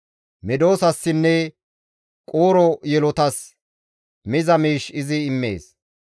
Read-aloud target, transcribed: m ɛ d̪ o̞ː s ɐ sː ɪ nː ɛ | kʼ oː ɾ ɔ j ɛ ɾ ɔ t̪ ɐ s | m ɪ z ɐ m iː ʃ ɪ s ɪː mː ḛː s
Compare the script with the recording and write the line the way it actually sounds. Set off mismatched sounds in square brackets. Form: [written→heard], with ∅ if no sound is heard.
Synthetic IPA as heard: m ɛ d̪ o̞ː s ɐ sː ɪ nː ɛ | kʼ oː ɾ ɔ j ɛ [ɾ→l] ɔ t̪ ɐ s | m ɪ z ɐ m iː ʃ ɪ [s→z] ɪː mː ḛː s